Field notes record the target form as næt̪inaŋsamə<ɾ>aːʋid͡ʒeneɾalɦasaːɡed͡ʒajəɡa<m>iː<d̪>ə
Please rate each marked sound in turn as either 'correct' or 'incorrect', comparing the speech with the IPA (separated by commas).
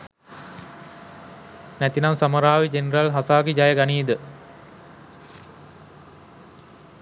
correct, incorrect, correct